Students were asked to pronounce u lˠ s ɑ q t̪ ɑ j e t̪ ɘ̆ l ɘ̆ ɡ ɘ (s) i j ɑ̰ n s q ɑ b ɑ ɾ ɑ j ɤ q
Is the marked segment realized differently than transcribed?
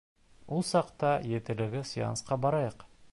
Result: no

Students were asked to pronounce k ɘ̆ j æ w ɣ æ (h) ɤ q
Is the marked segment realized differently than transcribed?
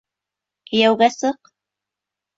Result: yes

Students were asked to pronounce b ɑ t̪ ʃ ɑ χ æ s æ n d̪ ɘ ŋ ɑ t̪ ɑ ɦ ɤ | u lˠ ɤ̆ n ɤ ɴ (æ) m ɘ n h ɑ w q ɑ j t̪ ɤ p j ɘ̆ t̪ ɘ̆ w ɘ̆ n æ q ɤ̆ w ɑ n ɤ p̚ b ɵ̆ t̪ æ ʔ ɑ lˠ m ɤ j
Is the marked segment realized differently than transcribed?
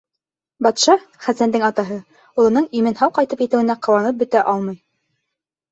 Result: yes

